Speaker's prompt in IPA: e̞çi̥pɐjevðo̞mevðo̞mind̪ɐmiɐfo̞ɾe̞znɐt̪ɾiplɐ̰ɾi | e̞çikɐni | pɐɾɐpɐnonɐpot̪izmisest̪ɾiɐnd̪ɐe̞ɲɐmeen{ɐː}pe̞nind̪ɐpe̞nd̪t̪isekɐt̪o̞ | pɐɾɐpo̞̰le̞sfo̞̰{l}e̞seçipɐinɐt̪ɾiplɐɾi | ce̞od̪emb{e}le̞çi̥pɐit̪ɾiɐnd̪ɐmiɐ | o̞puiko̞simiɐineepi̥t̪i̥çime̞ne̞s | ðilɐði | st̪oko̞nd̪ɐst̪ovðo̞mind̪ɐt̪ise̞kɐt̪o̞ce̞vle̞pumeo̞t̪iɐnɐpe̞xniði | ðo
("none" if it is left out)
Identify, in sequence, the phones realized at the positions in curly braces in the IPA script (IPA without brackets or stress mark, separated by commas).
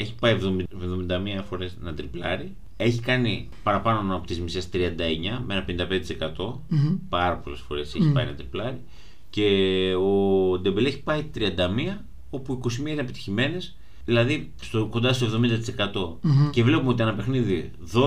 ɐ, ɾ, e